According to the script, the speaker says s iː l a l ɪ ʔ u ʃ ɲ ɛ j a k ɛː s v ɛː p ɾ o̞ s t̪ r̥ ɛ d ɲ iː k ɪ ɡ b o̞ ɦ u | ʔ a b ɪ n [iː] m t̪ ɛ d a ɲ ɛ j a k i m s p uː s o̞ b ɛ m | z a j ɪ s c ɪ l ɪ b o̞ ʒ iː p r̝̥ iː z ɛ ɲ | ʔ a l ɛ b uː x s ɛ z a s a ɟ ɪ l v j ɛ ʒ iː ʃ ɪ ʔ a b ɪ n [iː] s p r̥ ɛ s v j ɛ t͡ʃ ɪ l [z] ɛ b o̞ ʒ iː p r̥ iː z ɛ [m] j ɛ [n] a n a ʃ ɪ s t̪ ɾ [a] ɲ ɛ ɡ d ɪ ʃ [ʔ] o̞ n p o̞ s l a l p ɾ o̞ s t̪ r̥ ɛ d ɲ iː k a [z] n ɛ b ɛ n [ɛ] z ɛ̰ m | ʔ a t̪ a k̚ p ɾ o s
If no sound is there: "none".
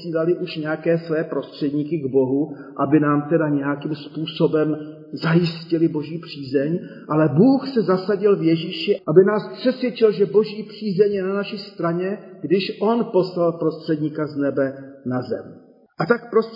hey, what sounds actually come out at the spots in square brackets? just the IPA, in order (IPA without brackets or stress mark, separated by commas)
aː, aː, ʒ, ɲ, n, a, ʔ, z, a